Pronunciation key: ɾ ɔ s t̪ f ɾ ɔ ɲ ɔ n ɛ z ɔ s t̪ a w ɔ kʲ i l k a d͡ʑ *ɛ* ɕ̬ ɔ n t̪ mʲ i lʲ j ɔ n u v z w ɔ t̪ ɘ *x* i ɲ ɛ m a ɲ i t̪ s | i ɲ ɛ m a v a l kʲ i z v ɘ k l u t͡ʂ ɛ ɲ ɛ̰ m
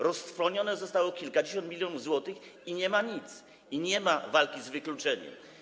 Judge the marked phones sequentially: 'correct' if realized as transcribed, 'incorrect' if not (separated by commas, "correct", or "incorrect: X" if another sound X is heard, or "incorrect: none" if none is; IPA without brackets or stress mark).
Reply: incorrect: e, correct